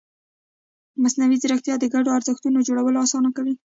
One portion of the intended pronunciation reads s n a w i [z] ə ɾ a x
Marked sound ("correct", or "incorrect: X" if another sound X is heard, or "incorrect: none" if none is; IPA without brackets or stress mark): correct